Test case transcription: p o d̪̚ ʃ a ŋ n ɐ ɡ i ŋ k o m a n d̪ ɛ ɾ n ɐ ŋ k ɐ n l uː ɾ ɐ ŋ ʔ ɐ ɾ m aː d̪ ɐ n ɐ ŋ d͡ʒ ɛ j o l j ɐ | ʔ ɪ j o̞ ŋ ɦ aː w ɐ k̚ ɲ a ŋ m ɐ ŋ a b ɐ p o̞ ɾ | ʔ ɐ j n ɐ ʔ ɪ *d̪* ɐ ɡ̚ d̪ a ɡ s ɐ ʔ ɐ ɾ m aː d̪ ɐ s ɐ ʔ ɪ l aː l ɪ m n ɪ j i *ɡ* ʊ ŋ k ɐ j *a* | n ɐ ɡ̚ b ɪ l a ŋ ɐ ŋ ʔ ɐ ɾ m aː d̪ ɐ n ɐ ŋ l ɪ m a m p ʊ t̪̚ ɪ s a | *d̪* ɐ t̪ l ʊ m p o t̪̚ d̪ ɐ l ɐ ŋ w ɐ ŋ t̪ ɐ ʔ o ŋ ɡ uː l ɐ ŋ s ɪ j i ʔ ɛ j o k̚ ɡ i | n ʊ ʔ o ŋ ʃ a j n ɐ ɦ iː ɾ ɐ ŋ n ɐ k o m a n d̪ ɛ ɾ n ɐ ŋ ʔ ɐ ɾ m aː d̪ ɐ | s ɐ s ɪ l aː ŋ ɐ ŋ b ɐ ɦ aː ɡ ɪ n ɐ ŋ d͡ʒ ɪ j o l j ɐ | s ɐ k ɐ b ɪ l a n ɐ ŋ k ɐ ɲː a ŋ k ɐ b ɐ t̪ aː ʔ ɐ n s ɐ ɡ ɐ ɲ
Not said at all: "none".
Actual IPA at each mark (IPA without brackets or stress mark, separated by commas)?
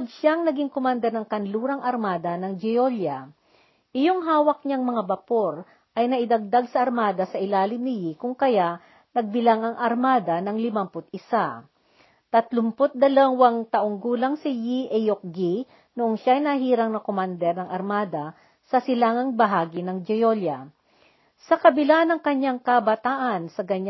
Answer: d̪, k, a, t̪